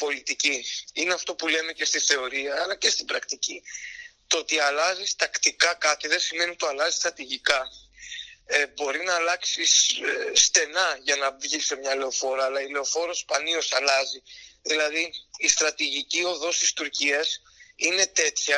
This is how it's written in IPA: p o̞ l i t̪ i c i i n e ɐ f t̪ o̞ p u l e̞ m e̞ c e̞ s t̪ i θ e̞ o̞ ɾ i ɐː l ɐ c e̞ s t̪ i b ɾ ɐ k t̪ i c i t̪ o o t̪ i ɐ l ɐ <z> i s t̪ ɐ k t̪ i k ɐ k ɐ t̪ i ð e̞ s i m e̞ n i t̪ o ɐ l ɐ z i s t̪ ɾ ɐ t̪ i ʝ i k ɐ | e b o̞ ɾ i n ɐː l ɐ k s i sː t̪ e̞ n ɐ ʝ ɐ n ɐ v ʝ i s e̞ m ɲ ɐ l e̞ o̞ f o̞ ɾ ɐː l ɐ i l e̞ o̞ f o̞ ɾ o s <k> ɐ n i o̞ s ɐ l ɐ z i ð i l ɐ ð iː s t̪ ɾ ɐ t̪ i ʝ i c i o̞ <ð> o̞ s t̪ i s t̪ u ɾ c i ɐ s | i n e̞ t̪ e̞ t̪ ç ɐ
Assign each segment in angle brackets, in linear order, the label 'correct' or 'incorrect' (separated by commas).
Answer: correct, incorrect, correct